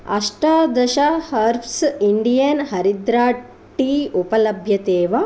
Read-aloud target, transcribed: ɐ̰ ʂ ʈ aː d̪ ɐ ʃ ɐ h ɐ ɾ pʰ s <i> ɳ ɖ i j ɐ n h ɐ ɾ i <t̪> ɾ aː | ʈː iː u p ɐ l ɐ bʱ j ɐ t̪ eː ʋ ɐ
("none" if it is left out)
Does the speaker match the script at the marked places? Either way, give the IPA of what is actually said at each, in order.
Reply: i, d̪

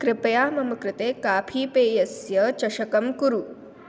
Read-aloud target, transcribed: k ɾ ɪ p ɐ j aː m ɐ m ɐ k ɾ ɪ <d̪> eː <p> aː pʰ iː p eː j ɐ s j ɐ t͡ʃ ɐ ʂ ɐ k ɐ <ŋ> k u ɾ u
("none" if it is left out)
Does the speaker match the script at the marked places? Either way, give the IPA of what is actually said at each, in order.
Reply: t̪, k, m

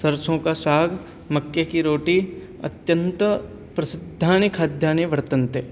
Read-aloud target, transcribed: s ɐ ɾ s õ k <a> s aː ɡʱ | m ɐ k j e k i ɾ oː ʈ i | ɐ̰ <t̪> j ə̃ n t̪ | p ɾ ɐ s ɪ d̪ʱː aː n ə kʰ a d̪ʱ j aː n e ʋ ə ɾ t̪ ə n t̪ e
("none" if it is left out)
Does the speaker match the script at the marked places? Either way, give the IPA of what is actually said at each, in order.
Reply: a, t̪

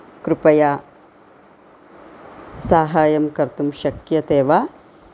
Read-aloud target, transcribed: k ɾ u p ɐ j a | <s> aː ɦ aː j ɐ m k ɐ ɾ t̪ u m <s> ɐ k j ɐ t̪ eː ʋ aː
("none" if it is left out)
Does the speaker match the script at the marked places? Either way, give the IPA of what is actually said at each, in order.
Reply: s, ʃ

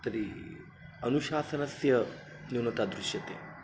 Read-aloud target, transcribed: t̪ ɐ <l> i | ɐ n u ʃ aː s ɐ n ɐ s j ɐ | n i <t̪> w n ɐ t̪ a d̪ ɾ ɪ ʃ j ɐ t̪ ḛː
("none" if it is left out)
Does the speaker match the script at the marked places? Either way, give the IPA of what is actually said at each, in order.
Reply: ɾ, none

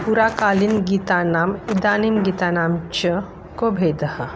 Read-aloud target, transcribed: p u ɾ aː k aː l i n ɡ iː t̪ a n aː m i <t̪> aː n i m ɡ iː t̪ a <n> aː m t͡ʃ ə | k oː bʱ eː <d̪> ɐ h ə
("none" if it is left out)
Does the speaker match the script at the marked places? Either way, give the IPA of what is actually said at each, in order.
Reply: d̪, n, d̪

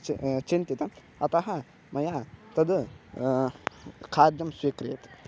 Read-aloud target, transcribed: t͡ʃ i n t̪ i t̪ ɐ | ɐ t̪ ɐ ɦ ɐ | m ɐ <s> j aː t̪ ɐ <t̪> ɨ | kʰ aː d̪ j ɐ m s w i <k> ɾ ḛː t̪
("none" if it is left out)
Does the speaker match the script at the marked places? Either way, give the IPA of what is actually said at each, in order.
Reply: none, d̪, k

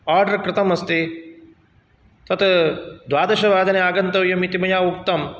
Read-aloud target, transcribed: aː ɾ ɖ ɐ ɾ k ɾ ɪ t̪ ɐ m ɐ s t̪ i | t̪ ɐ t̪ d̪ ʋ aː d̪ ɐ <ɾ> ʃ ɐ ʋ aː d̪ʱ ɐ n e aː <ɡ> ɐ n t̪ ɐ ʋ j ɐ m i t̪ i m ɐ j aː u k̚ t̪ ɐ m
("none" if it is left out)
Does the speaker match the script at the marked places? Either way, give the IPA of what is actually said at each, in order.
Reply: none, ɡ

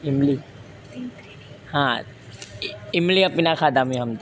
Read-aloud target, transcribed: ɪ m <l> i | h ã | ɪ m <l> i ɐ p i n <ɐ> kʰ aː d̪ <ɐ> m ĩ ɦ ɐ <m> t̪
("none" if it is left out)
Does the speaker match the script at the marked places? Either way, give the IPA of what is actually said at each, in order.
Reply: l, l, a, a, m

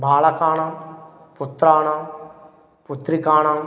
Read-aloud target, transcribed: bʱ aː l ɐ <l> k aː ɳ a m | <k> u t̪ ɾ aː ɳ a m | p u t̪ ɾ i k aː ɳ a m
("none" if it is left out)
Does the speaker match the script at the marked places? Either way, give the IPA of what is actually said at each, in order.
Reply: none, p

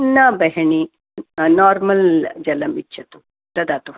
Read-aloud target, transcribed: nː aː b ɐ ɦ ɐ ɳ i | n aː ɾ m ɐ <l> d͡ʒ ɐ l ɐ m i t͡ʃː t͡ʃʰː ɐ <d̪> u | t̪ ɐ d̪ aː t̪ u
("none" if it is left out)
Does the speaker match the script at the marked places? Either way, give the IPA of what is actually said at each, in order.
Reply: l, t̪

